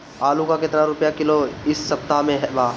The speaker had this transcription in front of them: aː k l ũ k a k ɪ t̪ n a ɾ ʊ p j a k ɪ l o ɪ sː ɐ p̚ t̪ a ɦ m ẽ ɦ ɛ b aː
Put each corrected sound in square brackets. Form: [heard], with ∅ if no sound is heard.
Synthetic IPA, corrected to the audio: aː [∅] l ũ k a k ɪ t̪ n a ɾ ʊ p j a k ɪ l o ɪ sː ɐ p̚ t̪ a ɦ m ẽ ɦ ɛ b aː